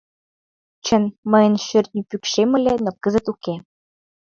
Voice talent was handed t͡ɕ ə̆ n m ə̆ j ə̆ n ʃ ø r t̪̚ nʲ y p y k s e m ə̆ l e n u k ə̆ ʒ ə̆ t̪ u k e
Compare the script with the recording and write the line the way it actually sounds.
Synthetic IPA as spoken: t͡ɕ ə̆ n m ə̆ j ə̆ n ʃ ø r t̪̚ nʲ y p y k ʃ e m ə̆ l e n o k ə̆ z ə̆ t̪ u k e